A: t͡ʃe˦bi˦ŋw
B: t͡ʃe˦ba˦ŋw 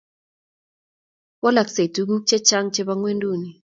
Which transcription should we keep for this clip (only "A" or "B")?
B